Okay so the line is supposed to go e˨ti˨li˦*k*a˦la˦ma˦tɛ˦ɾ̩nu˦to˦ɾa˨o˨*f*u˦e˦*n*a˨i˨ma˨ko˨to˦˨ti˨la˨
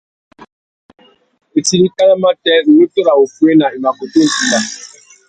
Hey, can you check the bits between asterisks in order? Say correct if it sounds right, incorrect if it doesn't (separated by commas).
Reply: correct, correct, correct